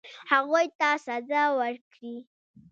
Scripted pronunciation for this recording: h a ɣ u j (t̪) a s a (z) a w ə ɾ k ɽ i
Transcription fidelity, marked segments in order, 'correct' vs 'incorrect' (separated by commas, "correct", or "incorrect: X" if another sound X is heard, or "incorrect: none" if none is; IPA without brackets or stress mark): correct, correct